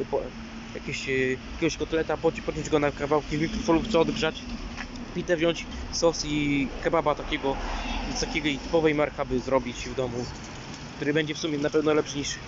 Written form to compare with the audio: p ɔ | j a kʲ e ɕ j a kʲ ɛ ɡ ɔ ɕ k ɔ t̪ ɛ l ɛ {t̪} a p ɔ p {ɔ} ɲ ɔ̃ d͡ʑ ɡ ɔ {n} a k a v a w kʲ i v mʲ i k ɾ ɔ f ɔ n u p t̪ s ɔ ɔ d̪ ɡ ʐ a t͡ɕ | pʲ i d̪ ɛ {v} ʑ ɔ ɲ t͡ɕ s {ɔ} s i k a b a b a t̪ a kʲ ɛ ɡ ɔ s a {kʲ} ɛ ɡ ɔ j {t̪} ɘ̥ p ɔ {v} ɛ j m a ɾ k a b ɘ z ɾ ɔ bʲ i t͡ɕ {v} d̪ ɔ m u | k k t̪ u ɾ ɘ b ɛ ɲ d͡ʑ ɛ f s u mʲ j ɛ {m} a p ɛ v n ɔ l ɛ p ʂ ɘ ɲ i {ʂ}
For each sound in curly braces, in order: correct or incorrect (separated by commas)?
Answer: correct, correct, correct, correct, correct, correct, correct, correct, correct, incorrect, correct